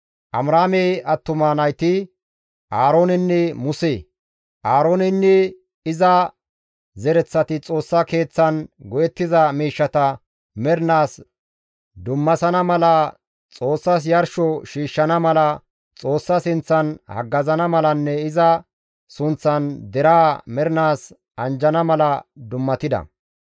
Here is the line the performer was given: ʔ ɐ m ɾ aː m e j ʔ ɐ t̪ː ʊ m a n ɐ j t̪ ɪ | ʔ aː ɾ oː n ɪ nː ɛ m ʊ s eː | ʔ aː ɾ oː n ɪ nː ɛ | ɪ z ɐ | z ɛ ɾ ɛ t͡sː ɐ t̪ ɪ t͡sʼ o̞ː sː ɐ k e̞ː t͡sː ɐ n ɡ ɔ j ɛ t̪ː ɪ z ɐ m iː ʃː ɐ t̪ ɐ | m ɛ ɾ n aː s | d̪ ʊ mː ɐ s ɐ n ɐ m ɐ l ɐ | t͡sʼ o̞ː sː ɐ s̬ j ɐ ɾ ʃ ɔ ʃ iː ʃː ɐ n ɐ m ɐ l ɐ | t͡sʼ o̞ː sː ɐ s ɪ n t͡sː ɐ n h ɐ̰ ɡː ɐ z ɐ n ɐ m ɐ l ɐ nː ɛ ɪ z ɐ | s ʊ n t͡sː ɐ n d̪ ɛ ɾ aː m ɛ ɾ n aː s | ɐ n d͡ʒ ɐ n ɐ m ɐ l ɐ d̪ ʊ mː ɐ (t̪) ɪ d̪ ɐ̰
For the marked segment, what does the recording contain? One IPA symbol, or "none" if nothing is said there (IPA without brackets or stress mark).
t̪